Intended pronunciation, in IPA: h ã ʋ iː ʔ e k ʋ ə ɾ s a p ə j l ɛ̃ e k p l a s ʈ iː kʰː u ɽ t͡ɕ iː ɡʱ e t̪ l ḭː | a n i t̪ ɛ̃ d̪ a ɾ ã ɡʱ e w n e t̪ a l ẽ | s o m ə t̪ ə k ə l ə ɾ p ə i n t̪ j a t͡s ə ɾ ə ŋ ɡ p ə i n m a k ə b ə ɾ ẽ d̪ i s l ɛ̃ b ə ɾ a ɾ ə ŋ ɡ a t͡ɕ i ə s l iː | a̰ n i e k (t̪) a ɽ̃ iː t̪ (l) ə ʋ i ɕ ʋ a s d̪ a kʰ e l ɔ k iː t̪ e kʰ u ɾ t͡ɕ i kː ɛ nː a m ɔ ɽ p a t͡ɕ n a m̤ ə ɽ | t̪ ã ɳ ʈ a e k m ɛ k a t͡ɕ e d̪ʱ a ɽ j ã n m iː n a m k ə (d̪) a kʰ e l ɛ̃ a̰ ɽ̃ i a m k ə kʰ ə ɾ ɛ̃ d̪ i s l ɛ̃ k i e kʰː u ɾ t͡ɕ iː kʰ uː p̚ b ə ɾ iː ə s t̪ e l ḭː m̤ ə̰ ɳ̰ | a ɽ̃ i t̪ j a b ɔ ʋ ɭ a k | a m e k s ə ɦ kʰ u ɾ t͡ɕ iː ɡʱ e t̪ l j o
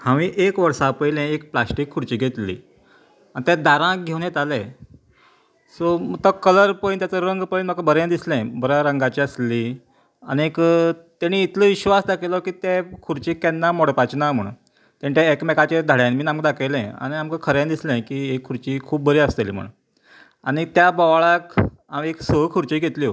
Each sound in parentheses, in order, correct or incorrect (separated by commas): correct, correct, correct